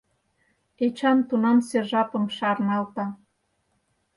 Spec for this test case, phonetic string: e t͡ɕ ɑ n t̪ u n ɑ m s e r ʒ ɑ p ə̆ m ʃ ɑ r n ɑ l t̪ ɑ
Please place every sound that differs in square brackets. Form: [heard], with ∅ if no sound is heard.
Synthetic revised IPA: e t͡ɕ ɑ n t̪ u n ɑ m s e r ʒ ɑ p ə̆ m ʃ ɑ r n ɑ l t̪ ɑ